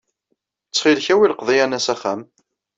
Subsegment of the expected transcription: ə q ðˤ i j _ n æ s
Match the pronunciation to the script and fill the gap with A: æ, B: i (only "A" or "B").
A